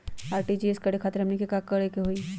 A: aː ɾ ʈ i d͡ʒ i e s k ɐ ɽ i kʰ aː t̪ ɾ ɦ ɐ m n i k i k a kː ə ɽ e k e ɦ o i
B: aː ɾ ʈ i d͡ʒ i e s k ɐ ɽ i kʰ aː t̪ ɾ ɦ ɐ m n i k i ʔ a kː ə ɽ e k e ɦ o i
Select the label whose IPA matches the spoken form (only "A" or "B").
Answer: A